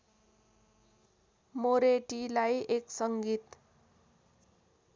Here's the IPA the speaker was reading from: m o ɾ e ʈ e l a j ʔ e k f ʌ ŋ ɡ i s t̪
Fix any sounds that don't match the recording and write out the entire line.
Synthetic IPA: m o ɾ e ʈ i l a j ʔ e k s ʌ ŋ ɡ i t̪